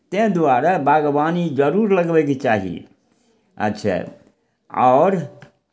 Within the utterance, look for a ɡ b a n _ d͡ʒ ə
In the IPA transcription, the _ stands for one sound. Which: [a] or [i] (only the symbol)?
i